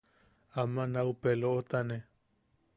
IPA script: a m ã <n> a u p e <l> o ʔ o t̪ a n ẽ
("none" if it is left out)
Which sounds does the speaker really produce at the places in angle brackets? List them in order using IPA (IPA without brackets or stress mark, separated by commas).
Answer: n, l